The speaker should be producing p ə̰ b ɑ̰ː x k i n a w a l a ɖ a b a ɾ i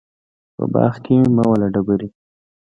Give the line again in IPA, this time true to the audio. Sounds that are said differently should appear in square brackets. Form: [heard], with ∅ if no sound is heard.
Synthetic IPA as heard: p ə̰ b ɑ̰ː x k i [m] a w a l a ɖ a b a ɾ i